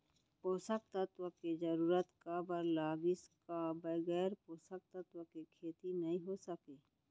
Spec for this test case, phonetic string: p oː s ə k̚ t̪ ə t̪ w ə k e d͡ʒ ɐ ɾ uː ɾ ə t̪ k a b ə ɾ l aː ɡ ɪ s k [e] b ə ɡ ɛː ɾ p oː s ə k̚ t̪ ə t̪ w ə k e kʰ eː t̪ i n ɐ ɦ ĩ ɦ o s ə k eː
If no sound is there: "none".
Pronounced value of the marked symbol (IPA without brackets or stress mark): a